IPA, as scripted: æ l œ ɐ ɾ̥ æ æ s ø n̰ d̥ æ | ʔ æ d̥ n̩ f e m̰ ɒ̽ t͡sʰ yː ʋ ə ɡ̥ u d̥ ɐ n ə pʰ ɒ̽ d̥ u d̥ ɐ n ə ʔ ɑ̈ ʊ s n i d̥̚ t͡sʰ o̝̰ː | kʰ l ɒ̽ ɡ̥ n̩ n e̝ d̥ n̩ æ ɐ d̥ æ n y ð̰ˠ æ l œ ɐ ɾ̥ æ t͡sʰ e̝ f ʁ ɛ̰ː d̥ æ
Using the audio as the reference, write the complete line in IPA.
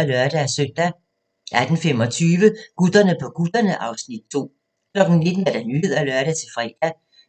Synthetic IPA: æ l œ ɐ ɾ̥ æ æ s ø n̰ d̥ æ | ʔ æ d̥ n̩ f e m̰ ɒ̽ t͡sʰ yː ʋ ə ɡ̥ u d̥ ɐ n ə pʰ ɒ̽ ɡ̥ u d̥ ɐ n ə ʔ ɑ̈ ʊ s n i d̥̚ t͡sʰ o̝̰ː | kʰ l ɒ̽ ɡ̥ n̩ n e̝ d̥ n̩ æ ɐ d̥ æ n y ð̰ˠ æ l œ ɐ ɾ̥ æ t͡sʰ e̝ f ʁ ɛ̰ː d̥ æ